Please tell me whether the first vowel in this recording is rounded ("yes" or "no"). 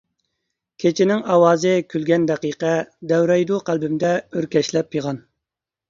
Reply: no